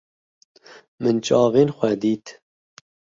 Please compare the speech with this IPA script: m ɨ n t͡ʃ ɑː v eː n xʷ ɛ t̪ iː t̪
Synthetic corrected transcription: m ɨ n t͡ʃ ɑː v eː n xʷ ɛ d̪ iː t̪